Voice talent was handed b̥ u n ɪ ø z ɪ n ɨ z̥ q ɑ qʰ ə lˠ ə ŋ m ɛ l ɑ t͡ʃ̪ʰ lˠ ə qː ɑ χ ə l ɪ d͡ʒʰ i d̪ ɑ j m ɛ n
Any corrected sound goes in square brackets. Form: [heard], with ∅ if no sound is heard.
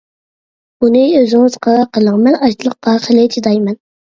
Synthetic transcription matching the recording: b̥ u n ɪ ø z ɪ [ŋ] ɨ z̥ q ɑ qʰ ə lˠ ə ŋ m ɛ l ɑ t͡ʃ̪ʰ lˠ ə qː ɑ χ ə l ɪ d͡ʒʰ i d̪ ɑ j m ɛ n